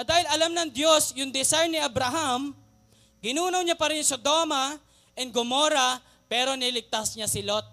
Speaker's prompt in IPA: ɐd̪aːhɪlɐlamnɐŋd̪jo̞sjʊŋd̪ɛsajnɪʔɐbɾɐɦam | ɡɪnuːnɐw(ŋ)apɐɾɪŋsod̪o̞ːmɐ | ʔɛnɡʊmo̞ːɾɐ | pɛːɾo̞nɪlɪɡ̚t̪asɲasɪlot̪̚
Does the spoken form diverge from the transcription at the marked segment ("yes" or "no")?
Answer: yes